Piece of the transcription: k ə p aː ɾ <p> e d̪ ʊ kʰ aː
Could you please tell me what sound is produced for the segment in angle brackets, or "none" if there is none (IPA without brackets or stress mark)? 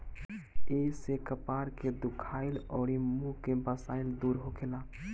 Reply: k